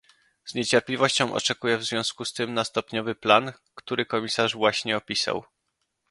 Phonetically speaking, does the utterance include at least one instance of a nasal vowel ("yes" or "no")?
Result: yes